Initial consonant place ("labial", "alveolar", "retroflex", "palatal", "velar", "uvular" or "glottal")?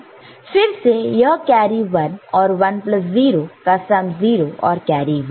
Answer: labial